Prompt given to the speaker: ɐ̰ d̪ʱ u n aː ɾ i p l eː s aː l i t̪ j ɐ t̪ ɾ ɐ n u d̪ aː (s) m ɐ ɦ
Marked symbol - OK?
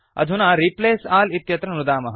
no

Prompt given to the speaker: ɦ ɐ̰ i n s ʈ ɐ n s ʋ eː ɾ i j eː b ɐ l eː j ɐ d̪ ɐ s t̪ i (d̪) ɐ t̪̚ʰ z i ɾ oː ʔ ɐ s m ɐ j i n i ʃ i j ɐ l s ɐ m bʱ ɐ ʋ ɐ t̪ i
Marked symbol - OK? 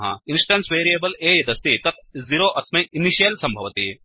no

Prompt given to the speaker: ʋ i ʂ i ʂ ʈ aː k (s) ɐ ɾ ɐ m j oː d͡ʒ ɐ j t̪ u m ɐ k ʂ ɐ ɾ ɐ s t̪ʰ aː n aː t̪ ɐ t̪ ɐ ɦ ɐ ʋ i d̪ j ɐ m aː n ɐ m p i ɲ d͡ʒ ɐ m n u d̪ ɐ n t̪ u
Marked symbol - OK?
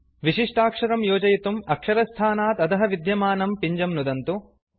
no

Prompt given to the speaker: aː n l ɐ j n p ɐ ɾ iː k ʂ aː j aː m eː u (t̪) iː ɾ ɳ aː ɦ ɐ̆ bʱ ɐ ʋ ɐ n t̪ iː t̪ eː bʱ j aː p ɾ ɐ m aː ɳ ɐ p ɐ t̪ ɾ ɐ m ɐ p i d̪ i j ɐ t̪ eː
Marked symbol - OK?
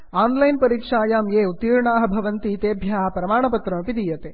yes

